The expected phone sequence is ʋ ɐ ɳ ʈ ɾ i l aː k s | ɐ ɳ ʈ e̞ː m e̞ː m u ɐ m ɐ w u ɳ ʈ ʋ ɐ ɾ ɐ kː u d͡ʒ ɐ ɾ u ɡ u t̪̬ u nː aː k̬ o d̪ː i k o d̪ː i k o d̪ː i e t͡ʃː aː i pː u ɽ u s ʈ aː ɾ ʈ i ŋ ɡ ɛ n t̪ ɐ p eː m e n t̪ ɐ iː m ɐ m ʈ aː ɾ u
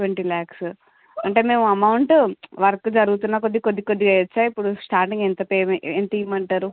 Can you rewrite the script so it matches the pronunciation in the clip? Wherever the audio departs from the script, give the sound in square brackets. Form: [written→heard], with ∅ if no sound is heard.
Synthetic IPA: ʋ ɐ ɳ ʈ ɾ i l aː k s | ɐ ɳ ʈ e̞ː m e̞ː m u ɐ m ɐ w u ɳ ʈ ʋ ɐ ɾ ɐ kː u d͡ʒ ɐ ɾ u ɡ u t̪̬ u nː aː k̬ o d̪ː i k o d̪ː i k o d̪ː i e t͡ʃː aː i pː u ɽ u s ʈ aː ɾ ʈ i ŋ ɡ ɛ n t̪ ɐ p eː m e n t̪ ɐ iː m ɐ [m→ɳ] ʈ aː ɾ u